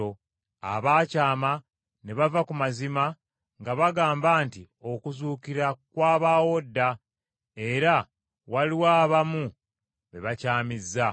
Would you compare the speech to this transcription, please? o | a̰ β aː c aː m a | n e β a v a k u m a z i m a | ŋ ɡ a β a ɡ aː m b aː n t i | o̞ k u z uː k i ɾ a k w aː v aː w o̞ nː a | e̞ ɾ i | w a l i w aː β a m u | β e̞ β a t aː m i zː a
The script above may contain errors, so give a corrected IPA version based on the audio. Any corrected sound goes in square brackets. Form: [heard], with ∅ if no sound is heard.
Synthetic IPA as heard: o | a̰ β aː c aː m a | n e β a v a k u m a z i m a | ŋ ɡ a β a ɡ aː m b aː n t i | o̞ k u z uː k i ɾ a k w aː [β] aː w o̞ [dː] a | e̞ ɾ [a] | w a l i w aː β a m u | β e̞ β a [c] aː m i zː a